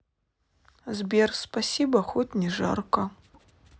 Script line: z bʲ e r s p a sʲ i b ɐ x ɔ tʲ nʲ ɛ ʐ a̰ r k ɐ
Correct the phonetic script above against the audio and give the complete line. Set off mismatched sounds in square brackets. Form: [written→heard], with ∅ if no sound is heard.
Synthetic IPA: z bʲ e r s p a sʲ i b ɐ x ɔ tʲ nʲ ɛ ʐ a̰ r k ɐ